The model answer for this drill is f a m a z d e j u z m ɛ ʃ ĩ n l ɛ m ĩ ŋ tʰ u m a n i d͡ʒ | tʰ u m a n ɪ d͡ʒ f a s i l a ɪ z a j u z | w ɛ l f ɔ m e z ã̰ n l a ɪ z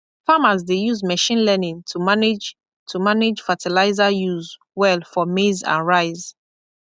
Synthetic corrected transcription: f a m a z d e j u z m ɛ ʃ ĩ n l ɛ n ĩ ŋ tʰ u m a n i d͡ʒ | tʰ u m a n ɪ d͡ʒ f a t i l a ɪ z a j u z | w ɛ l f ɔ m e z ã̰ n ɹ a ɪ z